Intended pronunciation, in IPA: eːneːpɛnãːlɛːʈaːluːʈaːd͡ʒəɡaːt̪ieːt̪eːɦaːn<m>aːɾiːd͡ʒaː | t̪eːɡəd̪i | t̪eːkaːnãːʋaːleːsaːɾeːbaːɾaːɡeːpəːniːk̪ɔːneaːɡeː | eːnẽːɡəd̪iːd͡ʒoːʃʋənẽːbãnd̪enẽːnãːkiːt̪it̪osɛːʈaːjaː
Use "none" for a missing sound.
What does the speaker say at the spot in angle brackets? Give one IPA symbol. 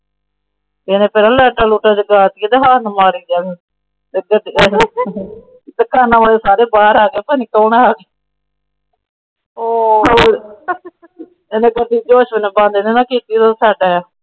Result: m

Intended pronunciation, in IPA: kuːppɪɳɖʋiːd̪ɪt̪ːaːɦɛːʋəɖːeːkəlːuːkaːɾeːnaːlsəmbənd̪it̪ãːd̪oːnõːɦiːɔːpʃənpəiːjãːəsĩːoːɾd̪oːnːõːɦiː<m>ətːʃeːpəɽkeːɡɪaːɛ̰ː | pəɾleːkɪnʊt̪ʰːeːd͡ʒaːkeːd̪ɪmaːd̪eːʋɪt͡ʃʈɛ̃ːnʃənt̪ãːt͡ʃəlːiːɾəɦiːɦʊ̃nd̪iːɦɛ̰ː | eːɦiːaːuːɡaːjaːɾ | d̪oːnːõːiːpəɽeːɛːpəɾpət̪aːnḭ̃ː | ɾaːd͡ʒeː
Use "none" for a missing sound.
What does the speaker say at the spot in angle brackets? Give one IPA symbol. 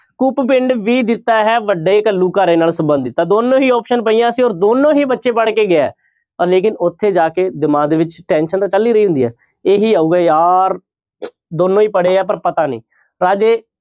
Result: b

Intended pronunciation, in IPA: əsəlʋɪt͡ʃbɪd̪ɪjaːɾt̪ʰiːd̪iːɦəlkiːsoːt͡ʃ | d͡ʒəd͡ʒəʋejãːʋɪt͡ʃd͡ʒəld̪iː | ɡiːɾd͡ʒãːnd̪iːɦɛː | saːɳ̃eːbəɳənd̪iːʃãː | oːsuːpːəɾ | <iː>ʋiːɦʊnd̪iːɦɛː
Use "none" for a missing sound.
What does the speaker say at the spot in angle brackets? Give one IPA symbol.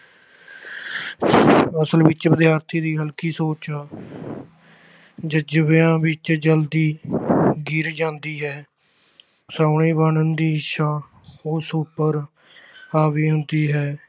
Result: aː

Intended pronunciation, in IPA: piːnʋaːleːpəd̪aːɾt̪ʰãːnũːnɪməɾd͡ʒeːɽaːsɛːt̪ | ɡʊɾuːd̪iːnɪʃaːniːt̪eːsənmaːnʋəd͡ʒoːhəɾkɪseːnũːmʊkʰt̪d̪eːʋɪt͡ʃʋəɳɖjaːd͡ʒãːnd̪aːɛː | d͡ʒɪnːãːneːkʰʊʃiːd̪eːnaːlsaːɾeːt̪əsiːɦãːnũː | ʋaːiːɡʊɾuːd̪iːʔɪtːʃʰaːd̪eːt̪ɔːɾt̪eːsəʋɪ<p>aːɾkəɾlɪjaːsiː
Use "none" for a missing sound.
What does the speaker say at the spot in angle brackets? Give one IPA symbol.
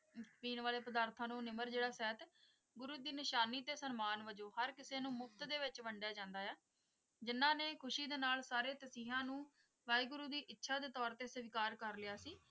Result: k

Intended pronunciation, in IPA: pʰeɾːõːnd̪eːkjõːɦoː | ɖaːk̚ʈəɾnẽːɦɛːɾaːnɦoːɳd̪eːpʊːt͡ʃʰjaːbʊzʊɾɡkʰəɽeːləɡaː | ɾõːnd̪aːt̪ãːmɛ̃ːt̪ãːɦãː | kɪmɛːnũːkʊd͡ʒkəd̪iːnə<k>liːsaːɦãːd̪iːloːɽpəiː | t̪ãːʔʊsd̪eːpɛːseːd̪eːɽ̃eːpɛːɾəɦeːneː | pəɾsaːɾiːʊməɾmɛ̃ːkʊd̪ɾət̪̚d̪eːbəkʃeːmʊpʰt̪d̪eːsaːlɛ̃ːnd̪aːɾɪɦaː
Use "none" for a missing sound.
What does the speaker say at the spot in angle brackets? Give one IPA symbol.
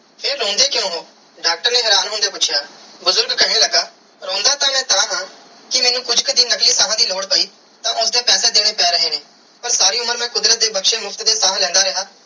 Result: k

